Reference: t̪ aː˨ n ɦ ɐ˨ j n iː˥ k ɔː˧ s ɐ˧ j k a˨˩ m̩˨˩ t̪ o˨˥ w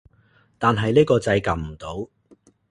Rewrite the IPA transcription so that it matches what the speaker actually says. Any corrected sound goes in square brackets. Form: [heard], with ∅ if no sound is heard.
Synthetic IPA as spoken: t̪ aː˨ n ɦ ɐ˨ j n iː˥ k ɔː˧ [t͡s] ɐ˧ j k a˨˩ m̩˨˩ t̪ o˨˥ w